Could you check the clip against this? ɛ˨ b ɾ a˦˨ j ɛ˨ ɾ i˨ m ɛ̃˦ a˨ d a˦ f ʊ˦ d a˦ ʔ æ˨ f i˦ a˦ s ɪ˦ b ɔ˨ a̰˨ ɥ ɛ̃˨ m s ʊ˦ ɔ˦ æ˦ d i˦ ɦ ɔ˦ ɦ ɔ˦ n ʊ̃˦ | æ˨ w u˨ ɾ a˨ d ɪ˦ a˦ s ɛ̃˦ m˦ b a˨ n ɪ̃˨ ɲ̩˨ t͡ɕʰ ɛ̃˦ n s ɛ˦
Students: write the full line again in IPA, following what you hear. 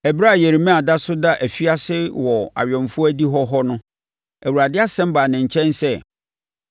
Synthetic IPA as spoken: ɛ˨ b ɾ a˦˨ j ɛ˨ ɾ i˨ m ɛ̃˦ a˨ d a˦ s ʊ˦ d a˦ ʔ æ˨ f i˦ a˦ s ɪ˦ w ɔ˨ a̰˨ ɥ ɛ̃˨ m f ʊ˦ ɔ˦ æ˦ d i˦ ɦ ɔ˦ ɦ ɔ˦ n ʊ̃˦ | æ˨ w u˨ ɾ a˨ d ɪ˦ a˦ s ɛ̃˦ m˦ b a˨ n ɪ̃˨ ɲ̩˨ t͡ɕʰ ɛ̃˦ n s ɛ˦